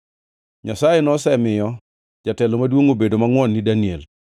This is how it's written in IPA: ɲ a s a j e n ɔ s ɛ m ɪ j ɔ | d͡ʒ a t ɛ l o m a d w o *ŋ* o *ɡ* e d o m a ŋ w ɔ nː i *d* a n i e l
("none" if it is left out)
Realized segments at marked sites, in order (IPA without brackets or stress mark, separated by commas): ŋ, b, d